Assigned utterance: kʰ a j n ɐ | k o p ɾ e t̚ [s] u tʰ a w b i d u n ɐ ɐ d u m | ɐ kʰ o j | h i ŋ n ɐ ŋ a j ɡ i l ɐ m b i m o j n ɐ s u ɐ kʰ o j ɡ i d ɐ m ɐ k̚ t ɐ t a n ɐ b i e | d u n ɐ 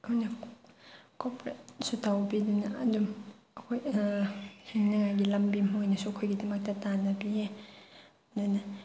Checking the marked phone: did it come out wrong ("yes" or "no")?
no